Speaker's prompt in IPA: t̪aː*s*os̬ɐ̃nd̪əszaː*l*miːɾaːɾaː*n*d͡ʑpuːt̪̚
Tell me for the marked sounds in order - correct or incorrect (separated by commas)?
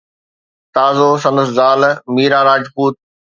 incorrect, correct, incorrect